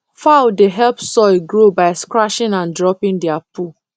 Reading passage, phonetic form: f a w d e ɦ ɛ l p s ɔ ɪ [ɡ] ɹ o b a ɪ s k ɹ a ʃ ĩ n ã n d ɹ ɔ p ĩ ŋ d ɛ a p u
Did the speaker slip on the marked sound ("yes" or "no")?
no